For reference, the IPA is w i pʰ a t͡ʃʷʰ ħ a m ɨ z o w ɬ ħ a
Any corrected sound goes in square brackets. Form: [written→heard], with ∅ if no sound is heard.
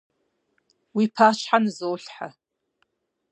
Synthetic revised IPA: w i pʰ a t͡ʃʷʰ ħ a [m→n] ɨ z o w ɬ ħ a